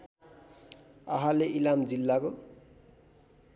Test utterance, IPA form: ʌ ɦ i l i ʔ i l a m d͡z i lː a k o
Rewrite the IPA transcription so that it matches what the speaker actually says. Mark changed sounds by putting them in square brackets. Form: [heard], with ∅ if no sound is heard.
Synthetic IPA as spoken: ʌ ɦ [a] l [e] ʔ i l a m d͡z i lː a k o

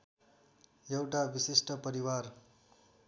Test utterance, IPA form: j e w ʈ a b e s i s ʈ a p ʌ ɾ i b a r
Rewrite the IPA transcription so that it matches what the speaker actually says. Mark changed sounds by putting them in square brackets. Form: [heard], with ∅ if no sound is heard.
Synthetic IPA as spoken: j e w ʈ a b [i] s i s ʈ [ʌ] p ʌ ɾ i [w] a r

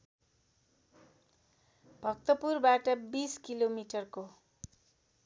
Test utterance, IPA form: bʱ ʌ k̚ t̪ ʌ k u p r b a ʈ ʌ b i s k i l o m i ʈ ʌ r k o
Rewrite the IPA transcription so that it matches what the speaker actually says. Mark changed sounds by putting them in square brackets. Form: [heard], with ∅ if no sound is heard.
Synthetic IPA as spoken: bʱ ʌ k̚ t̪ ʌ [p] u [∅] r b a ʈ ʌ b i s k i l o m i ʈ ʌ r k o

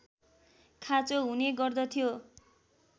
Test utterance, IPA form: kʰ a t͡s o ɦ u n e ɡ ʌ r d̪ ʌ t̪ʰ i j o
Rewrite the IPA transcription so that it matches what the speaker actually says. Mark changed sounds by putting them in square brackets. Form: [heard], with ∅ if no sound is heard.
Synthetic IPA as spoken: kʰ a t͡s o ɦ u n e ɡ ʌ r d̪ ʌ t̪ʰ i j o

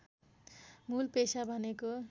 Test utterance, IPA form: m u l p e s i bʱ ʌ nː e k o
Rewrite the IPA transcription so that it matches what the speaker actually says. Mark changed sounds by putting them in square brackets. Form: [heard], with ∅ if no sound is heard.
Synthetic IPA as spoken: m u l p e s [a] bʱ ʌ [n] e k o

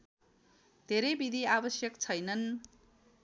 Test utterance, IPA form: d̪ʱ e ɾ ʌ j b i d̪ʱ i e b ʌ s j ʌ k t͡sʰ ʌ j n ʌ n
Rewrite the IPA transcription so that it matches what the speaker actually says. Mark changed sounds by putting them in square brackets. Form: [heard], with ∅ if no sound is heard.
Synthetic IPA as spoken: d̪ʱ e ɾ ʌ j b i d̪ʱ i [a] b ʌ s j ʌ k t͡sʰ ʌ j n ʌ n

